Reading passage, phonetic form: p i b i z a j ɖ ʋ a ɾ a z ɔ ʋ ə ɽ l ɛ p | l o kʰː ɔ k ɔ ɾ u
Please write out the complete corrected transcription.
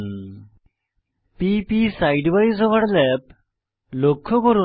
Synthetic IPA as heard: p i p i s a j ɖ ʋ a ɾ i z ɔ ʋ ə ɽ l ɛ p | l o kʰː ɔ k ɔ ɾ u